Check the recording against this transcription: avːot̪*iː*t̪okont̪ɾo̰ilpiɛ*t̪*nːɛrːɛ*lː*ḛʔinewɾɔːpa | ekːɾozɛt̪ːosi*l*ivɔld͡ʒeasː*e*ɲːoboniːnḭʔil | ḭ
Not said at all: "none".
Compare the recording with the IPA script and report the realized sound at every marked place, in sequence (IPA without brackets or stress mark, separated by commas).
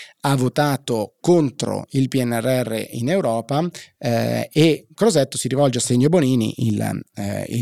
aː, none, rː, ɾ, e